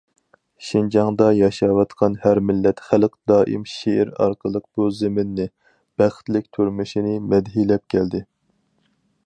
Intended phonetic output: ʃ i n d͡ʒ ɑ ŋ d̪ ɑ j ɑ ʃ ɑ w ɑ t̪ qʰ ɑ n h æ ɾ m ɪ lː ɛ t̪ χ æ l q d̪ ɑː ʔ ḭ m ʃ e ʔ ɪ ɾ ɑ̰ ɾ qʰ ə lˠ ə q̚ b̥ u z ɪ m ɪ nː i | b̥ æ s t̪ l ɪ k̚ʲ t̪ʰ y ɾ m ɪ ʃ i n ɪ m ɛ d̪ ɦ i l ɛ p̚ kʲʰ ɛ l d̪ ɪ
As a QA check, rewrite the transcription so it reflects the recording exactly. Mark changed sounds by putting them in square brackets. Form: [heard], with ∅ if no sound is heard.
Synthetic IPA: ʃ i n d͡ʒ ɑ ŋ d̪ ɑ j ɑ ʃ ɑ w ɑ t̪ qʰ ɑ n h æ ɾ m ɪ lː ɛ t̪ χ æ l q d̪ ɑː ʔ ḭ m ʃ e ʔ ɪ ɾ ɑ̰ ɾ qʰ ə lˠ ə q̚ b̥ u z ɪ m ɪ nː [ɪ] | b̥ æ [χ] t̪ l ɪ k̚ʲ t̪ʰ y ɾ m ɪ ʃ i n ɪ m ɛ d̪ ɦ i l ɛ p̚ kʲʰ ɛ l d̪ ɪ